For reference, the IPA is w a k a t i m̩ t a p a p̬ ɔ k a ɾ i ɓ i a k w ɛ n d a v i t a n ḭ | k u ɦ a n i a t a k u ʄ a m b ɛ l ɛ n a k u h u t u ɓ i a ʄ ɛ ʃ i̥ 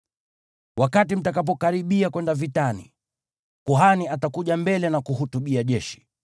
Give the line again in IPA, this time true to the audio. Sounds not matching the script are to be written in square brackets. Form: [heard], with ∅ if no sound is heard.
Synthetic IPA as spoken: w a k a t i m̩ t a [k] a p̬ ɔ k a ɾ i ɓ i a k w ɛ n d a v i t a n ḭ | k u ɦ a n i a t a k u ʄ a m b ɛ l ɛ n a k u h u t u ɓ i a ʄ ɛ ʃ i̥